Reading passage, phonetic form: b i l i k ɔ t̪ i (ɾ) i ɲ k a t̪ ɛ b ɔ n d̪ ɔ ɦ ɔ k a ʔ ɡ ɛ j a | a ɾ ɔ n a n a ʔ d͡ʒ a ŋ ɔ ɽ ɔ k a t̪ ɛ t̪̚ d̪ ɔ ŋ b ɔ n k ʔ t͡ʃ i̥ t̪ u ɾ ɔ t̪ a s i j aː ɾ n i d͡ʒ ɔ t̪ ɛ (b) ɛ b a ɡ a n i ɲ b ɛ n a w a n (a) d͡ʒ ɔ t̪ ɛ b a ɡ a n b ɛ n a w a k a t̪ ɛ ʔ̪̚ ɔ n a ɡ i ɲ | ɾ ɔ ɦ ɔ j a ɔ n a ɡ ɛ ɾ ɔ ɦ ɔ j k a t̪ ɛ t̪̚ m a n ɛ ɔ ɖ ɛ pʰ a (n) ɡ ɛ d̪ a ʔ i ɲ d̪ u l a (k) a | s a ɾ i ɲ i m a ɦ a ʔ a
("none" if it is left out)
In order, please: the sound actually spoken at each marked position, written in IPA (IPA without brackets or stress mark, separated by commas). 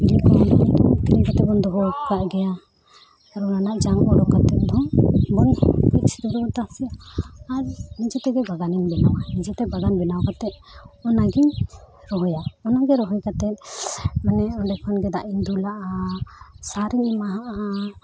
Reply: ɾ, ɡ, i, n, ʔ